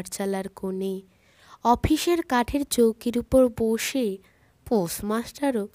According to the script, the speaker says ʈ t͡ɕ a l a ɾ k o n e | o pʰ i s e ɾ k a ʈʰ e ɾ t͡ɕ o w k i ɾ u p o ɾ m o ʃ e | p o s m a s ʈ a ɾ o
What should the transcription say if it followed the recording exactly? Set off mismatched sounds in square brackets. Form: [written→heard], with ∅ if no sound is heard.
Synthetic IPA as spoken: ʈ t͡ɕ a l a ɾ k o n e | [o→ɔ] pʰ i [s→ʃ] e ɾ k a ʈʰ e ɾ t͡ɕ o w k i ɾ u p o ɾ [m→b] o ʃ e | p o s m a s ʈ a ɾ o